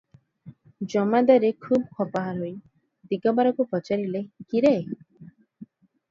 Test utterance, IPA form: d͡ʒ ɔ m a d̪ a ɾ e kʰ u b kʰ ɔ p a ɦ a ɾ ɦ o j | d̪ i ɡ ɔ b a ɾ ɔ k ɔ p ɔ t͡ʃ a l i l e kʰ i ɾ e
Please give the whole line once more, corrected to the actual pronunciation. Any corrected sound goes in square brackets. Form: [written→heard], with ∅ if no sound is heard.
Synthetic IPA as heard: d͡ʒ ɔ m a d̪ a ɾ e kʰ u b kʰ ɔ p a ɦ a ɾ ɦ o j | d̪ i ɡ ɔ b a ɾ ɔ k [ɔ→u] p ɔ t͡ʃ a [l→ɾ] i l e [kʰ→k] i ɾ e